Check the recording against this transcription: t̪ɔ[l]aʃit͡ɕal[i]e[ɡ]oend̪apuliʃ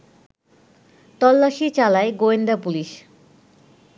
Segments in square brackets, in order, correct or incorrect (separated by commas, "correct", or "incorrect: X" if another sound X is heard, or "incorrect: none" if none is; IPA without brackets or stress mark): incorrect: lː, incorrect: a, correct